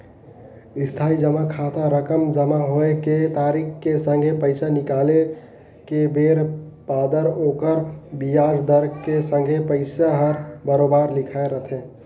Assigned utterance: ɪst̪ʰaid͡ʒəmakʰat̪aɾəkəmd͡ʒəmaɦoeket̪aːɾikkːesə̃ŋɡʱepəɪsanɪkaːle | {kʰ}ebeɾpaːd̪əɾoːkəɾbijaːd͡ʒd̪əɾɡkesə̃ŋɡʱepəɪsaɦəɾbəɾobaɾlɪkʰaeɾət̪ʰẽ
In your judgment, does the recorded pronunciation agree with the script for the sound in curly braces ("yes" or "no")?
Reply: no